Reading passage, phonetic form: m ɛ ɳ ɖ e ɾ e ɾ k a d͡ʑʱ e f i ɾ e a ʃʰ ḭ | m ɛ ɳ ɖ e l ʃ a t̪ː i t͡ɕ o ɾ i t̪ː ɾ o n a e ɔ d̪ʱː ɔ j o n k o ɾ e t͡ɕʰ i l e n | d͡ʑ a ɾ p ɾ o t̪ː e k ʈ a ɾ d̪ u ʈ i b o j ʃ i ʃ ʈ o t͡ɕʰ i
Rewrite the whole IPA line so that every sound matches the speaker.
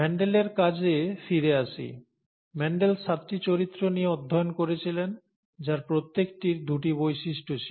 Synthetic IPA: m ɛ ɳ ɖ e l e ɾ k a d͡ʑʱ e f i ɾ e a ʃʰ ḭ | m ɛ ɳ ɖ e l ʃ a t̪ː i t͡ɕ o ɾ i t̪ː ɾ o n i e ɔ d̪ʱː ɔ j o n k o ɾ e t͡ɕʰ i l e n | d͡ʑ a ɾ p ɾ o t̪ː e k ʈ i ɾ d̪ u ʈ i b o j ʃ i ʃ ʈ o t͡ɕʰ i